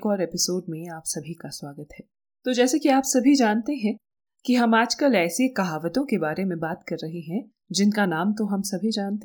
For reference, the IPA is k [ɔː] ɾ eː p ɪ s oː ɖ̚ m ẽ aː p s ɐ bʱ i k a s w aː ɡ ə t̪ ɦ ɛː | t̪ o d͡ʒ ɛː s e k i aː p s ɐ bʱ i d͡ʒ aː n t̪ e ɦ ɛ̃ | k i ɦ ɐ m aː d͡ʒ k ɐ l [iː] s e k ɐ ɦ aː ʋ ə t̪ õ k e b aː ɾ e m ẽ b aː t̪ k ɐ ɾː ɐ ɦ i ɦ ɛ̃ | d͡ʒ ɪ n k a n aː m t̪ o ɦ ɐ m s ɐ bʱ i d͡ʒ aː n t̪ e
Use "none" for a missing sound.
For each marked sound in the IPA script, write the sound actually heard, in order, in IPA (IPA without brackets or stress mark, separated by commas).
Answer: ɔː, ɛː